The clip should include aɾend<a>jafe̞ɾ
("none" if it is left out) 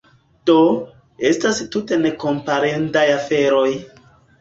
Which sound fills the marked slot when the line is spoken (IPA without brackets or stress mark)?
a